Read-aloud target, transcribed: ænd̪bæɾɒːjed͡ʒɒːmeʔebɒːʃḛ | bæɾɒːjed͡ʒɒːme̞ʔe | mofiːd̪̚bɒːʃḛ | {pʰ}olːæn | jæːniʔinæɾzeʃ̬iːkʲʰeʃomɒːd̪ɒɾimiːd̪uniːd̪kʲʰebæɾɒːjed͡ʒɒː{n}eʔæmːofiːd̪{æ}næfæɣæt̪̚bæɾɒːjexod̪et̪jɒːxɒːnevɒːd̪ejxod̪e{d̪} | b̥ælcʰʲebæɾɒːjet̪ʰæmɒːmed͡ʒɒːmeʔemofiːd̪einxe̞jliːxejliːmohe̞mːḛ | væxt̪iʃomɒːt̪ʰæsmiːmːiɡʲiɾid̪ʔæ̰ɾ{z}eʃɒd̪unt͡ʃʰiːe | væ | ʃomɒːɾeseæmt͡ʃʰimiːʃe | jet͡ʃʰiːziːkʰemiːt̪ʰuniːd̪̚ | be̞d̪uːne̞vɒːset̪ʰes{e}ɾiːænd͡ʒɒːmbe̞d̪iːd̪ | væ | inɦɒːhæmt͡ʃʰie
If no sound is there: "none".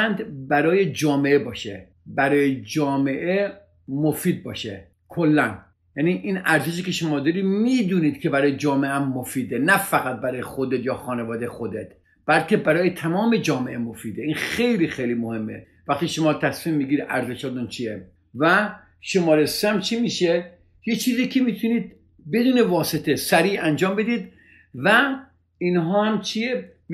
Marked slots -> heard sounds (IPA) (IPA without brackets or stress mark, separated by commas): kʰ, m, e, t̪, z, æ